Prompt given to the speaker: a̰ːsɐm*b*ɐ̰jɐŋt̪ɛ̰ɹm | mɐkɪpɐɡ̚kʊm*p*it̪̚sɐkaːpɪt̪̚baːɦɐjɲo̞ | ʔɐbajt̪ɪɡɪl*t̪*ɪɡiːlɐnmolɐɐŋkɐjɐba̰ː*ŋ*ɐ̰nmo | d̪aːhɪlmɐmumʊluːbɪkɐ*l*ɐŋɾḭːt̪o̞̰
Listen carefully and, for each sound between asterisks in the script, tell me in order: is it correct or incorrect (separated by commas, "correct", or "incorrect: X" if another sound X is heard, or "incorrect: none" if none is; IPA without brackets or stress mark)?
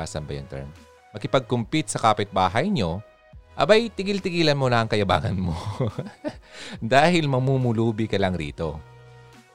correct, correct, correct, correct, correct